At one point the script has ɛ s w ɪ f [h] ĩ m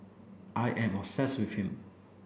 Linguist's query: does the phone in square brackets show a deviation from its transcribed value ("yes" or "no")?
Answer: no